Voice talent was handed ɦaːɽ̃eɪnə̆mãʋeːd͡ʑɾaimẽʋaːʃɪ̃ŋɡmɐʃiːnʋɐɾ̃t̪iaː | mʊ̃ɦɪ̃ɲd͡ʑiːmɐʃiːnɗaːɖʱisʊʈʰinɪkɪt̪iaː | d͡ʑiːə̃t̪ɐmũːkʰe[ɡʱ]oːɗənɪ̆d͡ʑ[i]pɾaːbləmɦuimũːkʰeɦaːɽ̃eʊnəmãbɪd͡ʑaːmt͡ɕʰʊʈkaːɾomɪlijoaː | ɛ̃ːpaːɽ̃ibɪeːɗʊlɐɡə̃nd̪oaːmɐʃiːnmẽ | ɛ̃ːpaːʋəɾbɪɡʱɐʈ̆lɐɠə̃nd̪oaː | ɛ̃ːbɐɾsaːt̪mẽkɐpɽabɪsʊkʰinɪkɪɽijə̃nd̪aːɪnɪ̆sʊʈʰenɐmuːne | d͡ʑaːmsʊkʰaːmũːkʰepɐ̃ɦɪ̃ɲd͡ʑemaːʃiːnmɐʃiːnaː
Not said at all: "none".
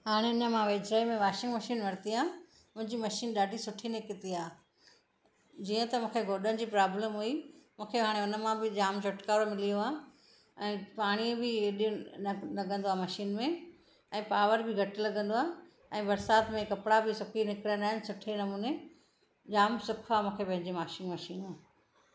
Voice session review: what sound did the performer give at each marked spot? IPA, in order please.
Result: ɡʱ, iː

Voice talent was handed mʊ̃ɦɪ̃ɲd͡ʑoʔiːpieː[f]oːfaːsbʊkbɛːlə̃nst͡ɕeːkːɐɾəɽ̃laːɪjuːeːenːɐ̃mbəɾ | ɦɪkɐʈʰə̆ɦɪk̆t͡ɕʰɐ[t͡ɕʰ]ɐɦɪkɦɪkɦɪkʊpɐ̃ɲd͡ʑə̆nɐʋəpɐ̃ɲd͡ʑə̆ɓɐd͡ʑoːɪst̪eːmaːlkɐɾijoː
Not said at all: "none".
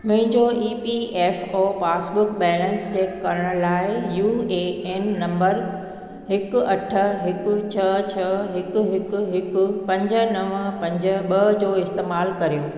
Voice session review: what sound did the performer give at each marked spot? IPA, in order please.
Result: f, t͡ɕʰ

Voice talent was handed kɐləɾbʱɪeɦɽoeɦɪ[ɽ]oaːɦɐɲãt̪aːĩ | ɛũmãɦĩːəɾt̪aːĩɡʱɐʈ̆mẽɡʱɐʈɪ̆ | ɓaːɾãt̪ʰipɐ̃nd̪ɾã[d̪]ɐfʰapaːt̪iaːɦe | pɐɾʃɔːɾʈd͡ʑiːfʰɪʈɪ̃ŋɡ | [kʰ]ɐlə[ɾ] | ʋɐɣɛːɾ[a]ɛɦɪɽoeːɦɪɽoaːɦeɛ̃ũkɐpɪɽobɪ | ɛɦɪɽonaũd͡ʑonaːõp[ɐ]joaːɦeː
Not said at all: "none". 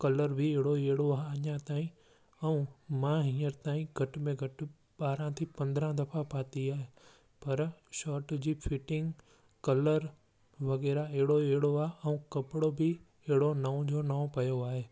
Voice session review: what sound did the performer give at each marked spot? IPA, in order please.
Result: ɽ, d̪, k, ɾ, a, ɐ

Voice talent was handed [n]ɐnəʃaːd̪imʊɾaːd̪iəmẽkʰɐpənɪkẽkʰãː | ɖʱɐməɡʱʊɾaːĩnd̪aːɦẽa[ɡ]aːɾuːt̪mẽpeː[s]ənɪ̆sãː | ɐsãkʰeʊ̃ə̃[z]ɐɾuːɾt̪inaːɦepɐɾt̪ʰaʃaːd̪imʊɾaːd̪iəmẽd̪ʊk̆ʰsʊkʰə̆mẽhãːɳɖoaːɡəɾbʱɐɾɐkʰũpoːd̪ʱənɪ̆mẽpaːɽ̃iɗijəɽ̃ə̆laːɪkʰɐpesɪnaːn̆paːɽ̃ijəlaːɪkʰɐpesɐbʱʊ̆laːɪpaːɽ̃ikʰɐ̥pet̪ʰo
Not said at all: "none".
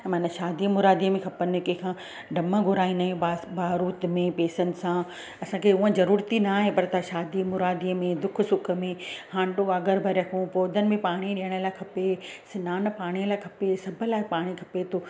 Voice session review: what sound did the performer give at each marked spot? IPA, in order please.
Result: m, b, s, z

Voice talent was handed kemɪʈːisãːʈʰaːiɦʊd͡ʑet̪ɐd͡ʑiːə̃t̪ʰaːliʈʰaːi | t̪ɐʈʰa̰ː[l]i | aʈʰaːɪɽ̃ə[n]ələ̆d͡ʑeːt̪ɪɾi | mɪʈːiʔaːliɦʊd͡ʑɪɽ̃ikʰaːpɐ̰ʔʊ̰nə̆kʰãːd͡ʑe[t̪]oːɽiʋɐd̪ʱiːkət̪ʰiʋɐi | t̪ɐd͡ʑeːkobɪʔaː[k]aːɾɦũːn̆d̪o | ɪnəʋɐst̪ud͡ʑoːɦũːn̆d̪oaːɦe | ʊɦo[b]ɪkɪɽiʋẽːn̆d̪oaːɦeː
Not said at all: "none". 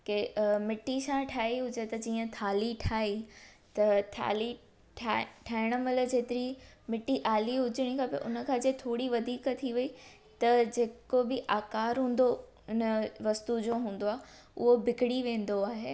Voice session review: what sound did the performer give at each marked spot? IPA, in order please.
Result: l, m, t̪ʰ, k, b

